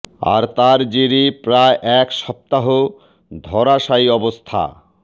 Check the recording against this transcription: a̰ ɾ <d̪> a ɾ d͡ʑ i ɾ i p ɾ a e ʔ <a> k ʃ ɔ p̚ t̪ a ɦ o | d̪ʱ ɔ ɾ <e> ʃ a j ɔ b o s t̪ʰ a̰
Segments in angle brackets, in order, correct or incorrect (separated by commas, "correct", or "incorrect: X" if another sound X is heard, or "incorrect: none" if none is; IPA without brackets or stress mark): incorrect: t̪, incorrect: ɛ, incorrect: a